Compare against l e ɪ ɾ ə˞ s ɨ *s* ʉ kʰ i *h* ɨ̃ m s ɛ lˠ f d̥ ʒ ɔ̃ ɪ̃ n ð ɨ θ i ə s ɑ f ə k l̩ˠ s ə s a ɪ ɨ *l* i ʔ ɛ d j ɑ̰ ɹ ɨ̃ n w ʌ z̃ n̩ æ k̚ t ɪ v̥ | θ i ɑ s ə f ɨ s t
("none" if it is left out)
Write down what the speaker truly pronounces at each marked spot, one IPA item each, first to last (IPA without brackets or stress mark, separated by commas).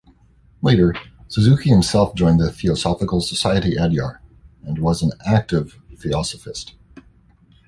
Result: z, h, ɾ